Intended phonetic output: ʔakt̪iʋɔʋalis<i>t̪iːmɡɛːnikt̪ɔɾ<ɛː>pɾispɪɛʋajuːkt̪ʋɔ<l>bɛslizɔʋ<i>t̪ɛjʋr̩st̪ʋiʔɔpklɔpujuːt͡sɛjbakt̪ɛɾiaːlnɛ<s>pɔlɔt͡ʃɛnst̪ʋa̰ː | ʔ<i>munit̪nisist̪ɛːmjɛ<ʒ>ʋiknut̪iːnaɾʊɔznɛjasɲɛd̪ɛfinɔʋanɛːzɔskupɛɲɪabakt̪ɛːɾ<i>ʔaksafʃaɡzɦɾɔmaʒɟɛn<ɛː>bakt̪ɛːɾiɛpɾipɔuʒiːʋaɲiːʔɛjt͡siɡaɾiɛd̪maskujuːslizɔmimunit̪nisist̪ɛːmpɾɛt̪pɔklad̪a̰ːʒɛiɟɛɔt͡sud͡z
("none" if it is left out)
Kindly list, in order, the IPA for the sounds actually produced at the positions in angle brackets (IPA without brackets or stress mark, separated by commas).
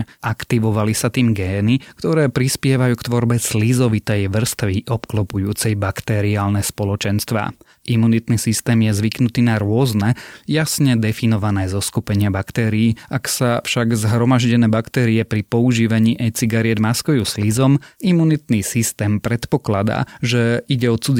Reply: a, ɛː, ɾ, i, s, i, z, iː, ɛː